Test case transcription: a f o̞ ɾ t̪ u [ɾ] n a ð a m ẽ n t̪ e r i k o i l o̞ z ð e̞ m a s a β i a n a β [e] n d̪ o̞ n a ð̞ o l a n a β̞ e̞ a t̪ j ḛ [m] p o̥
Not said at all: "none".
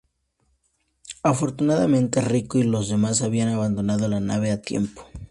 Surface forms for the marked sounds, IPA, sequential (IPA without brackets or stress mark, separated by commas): none, a, m